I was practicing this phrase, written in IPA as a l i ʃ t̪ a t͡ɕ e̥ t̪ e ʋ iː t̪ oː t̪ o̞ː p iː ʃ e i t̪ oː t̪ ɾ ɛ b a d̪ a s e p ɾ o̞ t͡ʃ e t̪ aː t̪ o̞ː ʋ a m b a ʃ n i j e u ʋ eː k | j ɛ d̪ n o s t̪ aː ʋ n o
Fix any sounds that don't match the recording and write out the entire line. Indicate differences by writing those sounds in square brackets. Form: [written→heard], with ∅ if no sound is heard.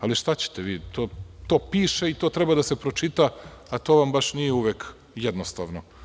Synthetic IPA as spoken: a l i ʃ t̪ a t͡ɕ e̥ t̪ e ʋ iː t̪ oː t̪ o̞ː p iː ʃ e i t̪ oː t̪ ɾ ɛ b a d̪ a s e p ɾ o̞ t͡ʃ [e→i] t̪ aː t̪ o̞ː ʋ a m b a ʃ n i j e u ʋ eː k | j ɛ d̪ n o s t̪ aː ʋ n o